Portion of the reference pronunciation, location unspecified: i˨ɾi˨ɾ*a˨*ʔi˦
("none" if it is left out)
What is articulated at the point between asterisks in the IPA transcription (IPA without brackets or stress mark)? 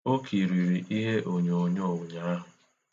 i˨